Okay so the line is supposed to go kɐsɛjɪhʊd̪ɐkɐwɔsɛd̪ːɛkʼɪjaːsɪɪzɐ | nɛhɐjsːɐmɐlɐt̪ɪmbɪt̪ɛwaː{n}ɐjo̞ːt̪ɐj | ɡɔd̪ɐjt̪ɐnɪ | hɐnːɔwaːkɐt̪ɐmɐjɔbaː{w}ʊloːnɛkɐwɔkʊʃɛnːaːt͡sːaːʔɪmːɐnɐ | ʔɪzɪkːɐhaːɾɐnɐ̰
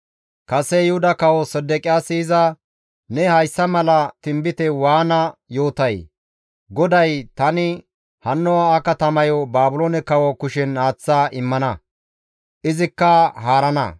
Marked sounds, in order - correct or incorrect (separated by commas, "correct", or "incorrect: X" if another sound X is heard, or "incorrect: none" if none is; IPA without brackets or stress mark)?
correct, incorrect: b